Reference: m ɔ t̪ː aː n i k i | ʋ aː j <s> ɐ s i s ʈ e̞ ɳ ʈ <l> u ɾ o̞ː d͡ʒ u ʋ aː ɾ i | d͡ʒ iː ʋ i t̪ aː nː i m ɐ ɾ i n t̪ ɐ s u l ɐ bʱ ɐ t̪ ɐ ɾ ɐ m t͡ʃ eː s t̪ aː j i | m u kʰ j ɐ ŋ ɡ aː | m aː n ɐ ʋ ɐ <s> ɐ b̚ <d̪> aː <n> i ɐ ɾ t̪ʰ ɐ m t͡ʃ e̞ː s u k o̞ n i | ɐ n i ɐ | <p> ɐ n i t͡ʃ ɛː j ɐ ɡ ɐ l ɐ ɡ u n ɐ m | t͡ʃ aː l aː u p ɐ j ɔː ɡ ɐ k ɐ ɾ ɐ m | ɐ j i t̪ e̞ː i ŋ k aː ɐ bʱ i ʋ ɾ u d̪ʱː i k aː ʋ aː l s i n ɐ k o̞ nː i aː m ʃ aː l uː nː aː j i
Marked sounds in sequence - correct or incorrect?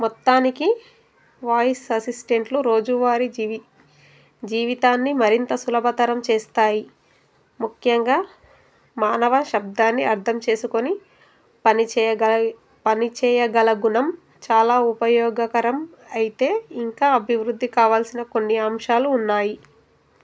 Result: correct, correct, incorrect: ʃ, correct, incorrect: nː, correct

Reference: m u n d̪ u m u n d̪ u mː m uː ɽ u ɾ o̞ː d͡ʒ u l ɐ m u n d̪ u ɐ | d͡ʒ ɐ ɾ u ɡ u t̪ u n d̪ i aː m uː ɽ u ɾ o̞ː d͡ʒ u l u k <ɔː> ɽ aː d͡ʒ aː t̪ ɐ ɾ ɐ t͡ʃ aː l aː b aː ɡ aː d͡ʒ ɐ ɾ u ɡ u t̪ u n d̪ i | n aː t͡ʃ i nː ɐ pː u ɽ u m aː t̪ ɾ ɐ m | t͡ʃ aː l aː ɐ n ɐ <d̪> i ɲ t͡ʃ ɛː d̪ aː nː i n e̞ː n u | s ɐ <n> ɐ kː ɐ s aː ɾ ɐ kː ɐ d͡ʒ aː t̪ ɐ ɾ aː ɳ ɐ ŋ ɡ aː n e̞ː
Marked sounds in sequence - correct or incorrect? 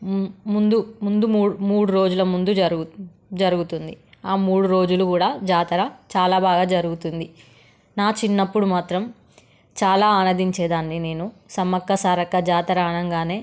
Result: incorrect: uː, correct, incorrect: m

